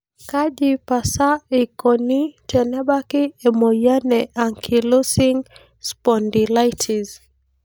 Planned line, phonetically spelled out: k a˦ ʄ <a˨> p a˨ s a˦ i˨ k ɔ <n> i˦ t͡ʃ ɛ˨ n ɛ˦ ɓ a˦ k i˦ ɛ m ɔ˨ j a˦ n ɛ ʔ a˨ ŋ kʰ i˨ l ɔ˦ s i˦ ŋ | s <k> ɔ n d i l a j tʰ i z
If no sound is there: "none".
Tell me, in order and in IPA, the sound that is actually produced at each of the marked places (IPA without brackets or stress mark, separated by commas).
i˨, n, p